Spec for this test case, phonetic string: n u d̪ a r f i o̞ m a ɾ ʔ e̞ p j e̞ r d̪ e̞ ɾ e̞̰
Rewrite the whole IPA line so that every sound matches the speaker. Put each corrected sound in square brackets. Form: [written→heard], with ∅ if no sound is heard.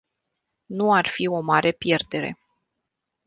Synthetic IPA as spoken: n u [d̪→∅] a r f i o̞ m a ɾ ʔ e̞ p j e̞ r d̪ e̞ ɾ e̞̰